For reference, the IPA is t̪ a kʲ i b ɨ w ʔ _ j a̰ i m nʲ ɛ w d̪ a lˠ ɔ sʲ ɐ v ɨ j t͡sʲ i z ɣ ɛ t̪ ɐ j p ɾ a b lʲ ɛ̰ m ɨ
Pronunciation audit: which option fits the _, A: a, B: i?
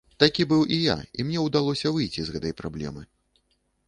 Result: B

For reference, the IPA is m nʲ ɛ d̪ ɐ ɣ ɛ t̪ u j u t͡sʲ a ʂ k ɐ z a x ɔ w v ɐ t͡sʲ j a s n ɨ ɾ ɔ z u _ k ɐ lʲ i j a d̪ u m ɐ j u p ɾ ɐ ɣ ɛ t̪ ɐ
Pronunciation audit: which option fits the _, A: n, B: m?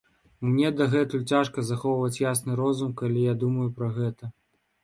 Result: B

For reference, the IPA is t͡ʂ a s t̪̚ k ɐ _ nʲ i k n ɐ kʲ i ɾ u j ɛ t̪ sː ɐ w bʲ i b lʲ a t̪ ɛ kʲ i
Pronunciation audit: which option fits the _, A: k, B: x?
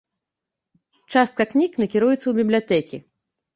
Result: A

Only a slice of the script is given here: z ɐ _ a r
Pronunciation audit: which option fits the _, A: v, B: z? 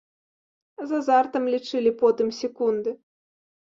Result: B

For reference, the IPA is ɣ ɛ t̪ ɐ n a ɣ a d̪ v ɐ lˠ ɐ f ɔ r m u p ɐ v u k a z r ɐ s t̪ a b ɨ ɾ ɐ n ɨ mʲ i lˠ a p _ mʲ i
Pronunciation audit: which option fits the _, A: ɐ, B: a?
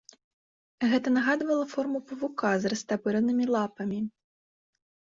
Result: A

